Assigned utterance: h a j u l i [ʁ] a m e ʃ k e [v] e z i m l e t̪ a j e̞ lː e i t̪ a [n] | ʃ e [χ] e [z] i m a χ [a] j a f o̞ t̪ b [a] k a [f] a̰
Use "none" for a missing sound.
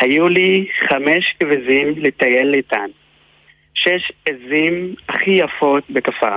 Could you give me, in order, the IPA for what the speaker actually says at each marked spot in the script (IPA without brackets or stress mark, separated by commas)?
χ, v, n, ʃ, z, i, e, f